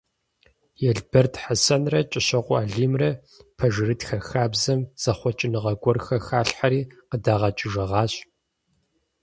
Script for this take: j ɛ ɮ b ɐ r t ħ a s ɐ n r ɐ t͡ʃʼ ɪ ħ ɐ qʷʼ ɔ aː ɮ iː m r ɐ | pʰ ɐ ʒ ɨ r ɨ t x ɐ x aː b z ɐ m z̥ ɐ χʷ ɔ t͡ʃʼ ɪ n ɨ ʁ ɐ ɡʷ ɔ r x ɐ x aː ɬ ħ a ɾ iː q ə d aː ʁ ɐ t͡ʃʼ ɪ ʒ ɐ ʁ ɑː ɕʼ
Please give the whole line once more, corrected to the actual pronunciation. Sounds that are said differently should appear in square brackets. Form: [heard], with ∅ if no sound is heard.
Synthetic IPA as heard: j ɛ ɮ b ɐ r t ħ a s ɐ n r ɐ t͡ʃʼ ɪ [ɕ] ɐ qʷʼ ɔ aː ɮ iː m r ɐ | pʰ ɐ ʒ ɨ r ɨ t x ɐ x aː b z ɐ m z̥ ɐ χʷ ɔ t͡ʃʼ ɪ n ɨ ʁ ɐ ɡʷ ɔ r x ɐ x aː ɬ ħ a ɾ iː q ə d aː ʁ ɐ t͡ʃʼ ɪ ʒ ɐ ʁ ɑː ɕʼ